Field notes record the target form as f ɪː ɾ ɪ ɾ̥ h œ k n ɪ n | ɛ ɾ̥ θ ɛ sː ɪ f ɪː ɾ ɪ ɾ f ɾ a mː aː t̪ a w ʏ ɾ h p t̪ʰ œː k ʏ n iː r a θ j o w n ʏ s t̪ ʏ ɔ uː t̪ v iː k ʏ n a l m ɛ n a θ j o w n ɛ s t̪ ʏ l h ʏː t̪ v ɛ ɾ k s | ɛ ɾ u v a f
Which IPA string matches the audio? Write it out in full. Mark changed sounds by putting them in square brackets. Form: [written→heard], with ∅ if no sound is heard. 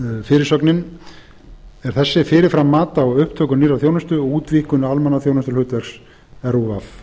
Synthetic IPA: f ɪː ɾ ɪ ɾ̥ [h→s] œ k n ɪ n | ɛ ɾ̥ θ ɛ sː ɪ f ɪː ɾ ɪ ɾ f ɾ a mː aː t̪ a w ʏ [ɾ→∅] h p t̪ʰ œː k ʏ n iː r a θ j o w n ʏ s t̪ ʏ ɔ uː t̪ v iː k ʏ n a l m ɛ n a θ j o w n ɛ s t̪ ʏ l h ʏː t̪ v ɛ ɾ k s | ɛ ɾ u v a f